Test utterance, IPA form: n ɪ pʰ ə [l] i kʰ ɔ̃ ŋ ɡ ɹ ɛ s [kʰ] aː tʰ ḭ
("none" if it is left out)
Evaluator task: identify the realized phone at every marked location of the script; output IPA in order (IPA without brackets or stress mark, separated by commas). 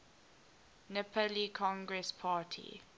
l, pʰ